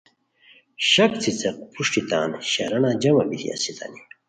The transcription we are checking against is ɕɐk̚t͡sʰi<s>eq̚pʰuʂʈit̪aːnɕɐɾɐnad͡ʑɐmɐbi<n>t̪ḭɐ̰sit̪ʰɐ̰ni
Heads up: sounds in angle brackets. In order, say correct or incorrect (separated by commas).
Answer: incorrect, incorrect